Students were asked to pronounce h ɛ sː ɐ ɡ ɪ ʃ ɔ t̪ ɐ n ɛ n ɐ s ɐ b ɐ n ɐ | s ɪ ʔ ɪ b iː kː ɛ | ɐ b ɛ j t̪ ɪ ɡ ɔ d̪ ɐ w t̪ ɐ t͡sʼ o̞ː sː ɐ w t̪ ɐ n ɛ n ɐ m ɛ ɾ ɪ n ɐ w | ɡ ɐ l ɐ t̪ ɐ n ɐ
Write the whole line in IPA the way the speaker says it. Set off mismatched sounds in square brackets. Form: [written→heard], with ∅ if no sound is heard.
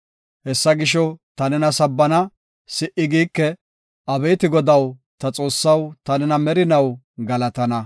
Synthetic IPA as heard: h ɛ sː ɐ ɡ ɪ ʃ ɔ t̪ ɐ n ɛ n ɐ s ɐ [b→bː] ɐ n ɐ | s ɪ ʔ ɪ [b→ɡ] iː kː ɛ | ɐ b ɛ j t̪ ɪ ɡ ɔ d̪ ɐ w t̪ ɐ t͡sʼ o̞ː sː ɐ w t̪ ɐ n ɛ n ɐ m ɛ ɾ ɪ n ɐ w | ɡ ɐ l ɐ t̪ ɐ n ɐ